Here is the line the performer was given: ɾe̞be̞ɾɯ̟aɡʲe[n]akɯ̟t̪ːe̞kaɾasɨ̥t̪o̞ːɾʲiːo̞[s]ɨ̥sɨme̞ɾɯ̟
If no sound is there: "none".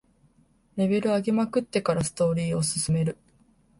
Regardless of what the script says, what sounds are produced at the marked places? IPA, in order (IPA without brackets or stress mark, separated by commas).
m, s